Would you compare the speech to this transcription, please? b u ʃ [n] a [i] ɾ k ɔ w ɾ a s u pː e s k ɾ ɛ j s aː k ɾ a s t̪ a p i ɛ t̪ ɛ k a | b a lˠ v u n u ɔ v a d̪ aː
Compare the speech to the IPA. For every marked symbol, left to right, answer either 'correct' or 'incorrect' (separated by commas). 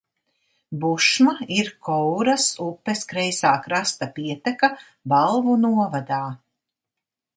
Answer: incorrect, correct